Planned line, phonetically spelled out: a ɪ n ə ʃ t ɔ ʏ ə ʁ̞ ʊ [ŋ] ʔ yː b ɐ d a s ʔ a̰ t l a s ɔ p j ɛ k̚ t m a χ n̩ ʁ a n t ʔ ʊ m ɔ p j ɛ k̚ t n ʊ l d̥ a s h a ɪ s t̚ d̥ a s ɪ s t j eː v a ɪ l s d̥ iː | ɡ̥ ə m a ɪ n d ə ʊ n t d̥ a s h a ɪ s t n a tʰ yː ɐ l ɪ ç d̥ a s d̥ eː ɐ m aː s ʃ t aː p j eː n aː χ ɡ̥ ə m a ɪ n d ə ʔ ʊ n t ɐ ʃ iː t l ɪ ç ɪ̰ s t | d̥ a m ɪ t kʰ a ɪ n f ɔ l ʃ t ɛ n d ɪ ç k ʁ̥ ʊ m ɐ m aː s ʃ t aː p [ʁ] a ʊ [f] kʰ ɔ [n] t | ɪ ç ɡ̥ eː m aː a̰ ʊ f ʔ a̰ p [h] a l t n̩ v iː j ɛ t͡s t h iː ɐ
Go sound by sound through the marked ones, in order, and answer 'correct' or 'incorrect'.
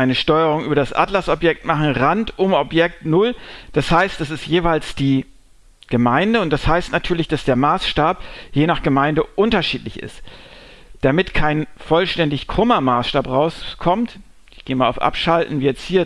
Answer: correct, correct, incorrect, incorrect, incorrect

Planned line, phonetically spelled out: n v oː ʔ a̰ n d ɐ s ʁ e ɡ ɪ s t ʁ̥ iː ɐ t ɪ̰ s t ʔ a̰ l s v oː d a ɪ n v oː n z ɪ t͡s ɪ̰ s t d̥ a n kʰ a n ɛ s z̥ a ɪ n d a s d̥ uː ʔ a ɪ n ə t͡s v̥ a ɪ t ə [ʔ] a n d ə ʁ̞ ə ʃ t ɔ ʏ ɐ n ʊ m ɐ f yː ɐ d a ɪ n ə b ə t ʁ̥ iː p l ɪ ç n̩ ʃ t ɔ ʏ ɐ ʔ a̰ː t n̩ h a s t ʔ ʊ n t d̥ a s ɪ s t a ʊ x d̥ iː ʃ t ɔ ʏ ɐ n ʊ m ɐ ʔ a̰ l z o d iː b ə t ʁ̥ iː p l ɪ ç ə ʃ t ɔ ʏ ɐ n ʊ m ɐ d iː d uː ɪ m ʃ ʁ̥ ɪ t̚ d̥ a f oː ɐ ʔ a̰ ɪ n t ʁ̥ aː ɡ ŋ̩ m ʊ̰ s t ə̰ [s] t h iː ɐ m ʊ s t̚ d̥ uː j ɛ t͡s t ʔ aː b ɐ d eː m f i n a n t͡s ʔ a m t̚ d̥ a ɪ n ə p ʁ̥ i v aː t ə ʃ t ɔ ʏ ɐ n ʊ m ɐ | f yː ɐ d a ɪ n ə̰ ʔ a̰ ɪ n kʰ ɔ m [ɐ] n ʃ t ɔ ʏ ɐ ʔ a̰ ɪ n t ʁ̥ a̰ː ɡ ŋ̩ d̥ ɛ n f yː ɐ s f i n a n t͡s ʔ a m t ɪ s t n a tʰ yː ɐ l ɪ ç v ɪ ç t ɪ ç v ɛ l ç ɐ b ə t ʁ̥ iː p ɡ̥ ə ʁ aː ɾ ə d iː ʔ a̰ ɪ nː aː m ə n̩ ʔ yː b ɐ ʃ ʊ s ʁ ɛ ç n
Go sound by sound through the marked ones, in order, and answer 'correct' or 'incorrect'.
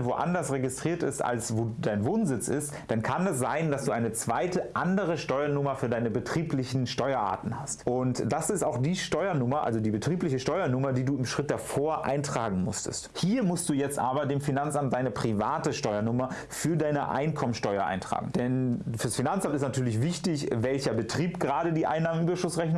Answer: correct, correct, incorrect

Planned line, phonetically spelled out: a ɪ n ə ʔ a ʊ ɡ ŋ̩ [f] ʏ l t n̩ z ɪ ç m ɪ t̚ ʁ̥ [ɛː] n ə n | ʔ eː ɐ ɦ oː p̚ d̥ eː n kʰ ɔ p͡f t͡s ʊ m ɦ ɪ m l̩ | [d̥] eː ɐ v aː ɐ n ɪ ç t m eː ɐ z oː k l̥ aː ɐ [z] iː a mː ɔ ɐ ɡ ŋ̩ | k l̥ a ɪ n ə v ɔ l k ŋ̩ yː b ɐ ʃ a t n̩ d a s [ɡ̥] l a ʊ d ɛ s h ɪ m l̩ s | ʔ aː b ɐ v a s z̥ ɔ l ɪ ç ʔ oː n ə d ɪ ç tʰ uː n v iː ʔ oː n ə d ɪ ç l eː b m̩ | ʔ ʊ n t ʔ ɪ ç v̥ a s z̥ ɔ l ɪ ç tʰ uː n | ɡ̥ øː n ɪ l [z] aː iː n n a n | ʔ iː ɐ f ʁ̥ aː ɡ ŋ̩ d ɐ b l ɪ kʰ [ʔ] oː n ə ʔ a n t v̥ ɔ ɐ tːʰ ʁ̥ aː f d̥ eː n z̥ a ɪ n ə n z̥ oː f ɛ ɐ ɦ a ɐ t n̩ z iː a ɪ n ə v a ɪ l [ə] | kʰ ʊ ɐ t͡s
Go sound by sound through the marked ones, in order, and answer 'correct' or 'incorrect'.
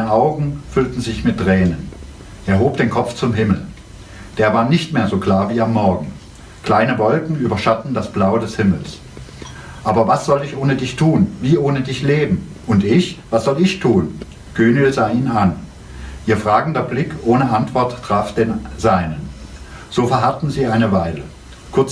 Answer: correct, correct, correct, incorrect, incorrect, correct, correct, correct

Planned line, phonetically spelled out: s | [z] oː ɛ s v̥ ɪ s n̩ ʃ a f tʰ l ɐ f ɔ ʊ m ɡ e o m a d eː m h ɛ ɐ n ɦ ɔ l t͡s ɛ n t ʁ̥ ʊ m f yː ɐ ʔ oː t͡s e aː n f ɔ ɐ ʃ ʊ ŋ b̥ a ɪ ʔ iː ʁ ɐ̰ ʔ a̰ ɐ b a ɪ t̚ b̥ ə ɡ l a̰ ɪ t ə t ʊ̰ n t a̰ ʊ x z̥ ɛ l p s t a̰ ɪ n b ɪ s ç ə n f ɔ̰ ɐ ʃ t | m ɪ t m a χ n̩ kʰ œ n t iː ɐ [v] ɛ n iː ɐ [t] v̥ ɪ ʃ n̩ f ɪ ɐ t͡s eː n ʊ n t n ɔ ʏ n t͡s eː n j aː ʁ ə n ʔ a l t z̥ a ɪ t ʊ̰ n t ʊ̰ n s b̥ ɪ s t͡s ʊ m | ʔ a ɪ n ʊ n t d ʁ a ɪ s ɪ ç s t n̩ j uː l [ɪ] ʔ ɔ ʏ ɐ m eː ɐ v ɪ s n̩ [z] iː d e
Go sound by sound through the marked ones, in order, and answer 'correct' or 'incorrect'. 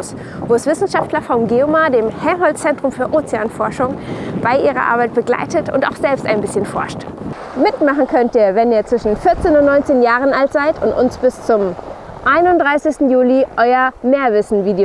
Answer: incorrect, correct, incorrect, incorrect, incorrect

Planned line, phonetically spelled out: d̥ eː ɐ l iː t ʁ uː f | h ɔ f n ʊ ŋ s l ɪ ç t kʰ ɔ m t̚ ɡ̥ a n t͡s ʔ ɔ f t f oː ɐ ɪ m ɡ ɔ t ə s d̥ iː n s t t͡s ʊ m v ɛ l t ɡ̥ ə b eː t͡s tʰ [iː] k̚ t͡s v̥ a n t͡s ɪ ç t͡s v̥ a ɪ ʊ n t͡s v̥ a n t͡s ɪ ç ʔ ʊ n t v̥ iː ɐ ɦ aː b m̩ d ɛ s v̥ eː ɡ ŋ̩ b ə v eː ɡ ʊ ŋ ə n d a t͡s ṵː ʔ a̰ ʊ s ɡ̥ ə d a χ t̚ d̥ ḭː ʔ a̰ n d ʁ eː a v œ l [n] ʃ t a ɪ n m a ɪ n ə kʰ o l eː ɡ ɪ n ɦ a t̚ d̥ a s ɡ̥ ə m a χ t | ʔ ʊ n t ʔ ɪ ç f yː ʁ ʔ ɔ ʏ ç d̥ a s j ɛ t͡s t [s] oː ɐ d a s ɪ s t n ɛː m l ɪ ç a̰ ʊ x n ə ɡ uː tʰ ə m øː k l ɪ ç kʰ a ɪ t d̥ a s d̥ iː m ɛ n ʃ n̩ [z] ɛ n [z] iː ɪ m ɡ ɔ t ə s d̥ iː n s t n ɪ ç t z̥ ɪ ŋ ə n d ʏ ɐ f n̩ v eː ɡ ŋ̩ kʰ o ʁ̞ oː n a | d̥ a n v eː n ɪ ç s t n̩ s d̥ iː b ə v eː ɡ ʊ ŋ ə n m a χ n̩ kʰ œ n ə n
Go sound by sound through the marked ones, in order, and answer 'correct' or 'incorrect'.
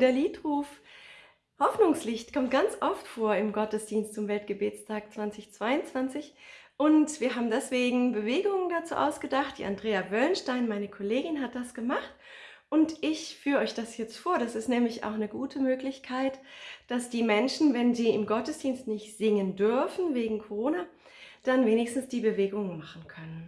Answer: incorrect, correct, incorrect, incorrect, correct

